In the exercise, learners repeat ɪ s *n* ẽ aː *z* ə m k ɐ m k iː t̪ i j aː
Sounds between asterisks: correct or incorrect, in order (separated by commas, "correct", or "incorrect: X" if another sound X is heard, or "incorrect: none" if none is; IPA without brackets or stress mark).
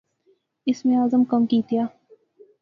incorrect: m, correct